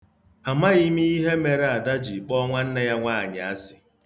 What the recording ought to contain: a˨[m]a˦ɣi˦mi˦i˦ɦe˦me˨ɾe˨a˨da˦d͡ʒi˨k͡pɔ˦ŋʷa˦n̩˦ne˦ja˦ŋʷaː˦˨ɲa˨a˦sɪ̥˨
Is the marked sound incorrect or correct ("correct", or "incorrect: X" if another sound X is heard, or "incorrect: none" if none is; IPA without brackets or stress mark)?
correct